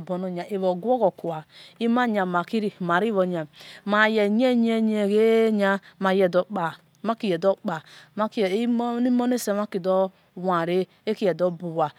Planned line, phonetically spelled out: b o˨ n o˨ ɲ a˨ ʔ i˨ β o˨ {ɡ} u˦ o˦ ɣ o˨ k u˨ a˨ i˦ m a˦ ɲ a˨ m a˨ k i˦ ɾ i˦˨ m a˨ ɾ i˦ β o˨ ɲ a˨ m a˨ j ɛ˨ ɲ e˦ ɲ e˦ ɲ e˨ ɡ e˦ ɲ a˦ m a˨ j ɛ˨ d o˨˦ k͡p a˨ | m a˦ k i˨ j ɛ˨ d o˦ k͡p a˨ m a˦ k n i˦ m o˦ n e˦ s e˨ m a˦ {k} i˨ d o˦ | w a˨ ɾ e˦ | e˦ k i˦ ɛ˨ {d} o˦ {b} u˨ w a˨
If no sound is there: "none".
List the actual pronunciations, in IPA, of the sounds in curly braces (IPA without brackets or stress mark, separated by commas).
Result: ɡ, k, d, b